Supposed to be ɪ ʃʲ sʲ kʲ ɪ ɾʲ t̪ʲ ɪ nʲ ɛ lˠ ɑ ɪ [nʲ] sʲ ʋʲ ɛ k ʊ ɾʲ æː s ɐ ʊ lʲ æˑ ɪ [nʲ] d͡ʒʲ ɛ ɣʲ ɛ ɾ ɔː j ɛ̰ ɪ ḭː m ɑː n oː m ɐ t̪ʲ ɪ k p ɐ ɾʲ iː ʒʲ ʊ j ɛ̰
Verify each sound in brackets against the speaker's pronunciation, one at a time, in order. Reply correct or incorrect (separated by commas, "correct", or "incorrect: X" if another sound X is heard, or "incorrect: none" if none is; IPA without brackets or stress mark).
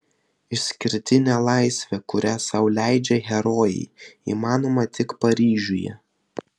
incorrect: none, incorrect: none